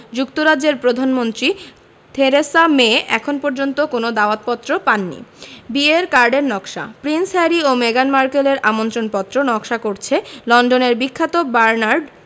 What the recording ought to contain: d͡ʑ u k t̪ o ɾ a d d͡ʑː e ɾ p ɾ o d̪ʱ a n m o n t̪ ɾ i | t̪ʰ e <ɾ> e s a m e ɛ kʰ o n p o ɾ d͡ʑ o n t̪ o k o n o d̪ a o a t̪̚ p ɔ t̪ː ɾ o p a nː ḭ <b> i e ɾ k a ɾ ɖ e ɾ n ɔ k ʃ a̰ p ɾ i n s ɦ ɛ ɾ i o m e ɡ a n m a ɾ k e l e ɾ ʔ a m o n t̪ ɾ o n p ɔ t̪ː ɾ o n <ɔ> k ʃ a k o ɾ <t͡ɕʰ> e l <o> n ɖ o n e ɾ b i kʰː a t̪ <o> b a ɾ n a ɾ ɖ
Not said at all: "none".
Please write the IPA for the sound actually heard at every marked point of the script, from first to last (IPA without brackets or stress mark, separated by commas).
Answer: ɾ, b, ɔ, t͡ɕʰ, ɔ, o